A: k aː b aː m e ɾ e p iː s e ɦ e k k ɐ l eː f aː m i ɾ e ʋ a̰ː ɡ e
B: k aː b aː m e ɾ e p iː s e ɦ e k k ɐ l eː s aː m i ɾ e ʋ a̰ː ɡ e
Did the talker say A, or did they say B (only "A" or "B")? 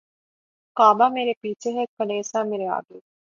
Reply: B